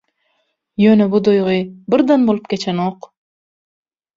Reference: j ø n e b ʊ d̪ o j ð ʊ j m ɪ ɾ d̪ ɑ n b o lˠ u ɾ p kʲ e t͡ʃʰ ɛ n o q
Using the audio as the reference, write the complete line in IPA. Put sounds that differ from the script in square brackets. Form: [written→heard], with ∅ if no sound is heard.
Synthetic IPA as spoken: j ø n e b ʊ d̪ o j [ð→ʁ] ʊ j [m→b] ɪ ɾ d̪ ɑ n b o lˠ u [ɾ→∅] p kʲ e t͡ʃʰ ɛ n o q